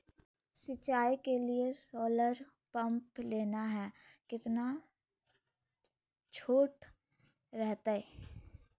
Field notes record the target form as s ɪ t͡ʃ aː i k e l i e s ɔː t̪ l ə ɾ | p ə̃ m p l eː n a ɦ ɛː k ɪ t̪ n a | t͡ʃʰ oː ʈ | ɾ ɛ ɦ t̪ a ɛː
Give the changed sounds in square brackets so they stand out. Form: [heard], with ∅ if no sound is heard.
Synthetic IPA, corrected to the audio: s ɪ t͡ʃ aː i k e l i e s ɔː [∅] l ə ɾ | p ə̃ m p l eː n a ɦ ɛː k ɪ t̪ n a | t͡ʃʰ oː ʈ | ɾ ɛ ɦ t̪ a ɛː